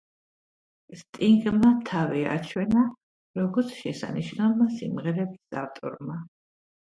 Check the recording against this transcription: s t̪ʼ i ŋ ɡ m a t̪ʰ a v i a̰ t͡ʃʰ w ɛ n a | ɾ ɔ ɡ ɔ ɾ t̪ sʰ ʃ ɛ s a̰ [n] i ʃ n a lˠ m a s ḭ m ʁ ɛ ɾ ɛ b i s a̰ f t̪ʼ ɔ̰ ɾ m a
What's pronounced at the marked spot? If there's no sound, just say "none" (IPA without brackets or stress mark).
n